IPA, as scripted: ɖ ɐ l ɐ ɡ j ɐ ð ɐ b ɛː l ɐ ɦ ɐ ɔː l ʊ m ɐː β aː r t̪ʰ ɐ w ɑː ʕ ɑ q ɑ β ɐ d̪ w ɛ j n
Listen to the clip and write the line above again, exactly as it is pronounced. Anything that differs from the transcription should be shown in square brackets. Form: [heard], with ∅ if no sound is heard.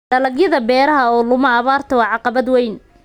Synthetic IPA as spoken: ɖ ɐ l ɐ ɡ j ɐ ð ɐ b ɛː [ɾ] ɐ ɦ ɐ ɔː l ʊ m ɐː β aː r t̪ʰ ɐ w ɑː ʕ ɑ q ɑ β ɐ d̪ w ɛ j n